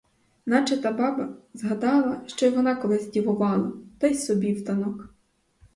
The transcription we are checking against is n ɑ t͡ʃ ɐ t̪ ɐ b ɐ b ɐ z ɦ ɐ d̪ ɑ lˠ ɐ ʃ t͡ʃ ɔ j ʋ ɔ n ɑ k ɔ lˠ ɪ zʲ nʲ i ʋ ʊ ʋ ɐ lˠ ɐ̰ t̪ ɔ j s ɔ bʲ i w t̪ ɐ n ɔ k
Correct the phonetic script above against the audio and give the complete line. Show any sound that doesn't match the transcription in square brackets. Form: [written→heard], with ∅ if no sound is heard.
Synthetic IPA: n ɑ t͡ʃ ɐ t̪ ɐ b [ɐ→ɑ] b ɐ z ɦ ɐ d̪ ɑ lˠ ɐ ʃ t͡ʃ ɔ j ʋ ɔ n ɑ k ɔ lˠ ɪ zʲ [nʲ→dʲ] i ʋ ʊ ʋ [ɐ→ɑ] lˠ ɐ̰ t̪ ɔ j s ɔ bʲ i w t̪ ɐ n ɔ k